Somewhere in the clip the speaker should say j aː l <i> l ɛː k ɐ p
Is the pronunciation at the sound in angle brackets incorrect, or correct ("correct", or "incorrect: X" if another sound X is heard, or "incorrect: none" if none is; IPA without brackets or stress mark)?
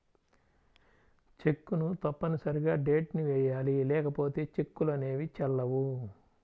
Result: correct